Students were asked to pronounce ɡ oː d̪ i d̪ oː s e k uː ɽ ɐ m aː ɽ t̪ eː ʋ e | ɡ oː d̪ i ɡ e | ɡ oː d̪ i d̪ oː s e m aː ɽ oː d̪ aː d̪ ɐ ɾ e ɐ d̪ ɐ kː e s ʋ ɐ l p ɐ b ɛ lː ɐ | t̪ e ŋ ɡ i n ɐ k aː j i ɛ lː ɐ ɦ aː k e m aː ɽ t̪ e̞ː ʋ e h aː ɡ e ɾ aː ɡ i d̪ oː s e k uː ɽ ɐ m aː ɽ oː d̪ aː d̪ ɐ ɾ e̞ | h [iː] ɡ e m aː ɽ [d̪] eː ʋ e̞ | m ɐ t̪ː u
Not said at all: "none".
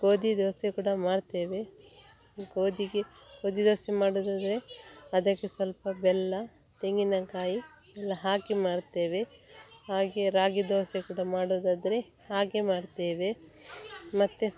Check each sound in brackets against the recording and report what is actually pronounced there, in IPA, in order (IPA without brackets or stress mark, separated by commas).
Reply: aː, t̪